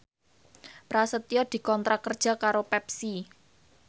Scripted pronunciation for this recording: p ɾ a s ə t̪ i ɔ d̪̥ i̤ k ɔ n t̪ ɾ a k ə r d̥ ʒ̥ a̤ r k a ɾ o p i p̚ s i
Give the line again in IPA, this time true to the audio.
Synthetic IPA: p ɾ a s ə t̪ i ɔ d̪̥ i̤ k ɔ n t̪ ɾ a k ə r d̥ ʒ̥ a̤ k a ɾ o p ɛ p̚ s i